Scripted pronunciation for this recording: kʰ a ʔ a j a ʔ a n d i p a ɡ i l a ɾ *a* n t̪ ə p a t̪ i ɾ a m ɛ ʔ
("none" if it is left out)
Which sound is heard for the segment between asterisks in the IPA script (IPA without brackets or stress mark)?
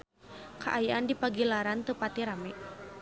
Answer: a